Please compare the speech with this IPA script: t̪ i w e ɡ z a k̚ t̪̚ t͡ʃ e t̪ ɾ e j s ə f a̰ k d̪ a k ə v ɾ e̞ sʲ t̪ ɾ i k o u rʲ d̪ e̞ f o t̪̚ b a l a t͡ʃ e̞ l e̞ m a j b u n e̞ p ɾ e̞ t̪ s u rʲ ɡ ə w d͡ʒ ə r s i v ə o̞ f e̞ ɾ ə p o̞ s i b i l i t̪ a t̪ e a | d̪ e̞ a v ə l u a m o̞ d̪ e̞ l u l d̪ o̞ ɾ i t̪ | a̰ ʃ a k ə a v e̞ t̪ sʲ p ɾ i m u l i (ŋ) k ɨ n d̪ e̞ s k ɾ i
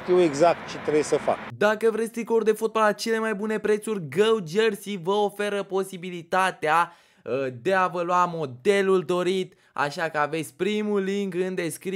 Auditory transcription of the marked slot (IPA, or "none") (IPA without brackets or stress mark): ŋ